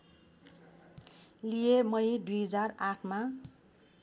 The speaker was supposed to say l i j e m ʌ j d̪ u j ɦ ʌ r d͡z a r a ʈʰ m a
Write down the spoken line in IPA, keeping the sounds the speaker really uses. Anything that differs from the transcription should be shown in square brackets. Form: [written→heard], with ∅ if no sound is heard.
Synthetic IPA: l i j e m ʌ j d̪ u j ɦ ʌ [r→∅] d͡z a r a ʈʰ m a